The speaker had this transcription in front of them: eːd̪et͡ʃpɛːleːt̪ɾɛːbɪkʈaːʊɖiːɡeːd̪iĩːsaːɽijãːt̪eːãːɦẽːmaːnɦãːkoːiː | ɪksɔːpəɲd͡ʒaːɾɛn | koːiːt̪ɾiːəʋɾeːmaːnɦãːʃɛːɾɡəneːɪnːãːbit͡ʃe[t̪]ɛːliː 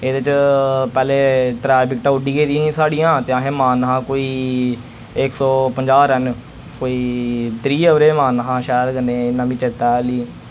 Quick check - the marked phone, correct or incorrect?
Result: correct